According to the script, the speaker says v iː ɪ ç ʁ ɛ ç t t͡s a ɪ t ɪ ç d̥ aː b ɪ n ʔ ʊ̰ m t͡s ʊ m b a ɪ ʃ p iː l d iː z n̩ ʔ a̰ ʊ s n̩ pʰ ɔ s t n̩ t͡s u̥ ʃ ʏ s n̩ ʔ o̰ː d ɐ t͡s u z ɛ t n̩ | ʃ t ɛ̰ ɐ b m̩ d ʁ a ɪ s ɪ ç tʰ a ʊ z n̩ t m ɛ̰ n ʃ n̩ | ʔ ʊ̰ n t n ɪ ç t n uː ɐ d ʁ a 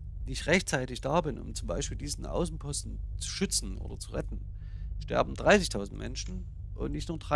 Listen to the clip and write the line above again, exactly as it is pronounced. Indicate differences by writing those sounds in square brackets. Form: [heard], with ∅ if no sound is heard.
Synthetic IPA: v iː ɪ ç ʁ ɛ ç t t͡s a ɪ t ɪ ç d̥ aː b ɪ n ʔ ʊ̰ m t͡s ʊ m b a ɪ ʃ p iː l d iː z n̩ ʔ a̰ ʊ s n̩ pʰ ɔ s t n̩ t͡s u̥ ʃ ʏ [t͡s] n̩ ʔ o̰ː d ɐ t͡s u [ʁ] ɛ t n̩ | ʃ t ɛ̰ ɐ b m̩ d ʁ a ɪ s ɪ ç tʰ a ʊ z n̩ t m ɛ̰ n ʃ n̩ | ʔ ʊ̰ n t n ɪ ç t n uː ɐ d ʁ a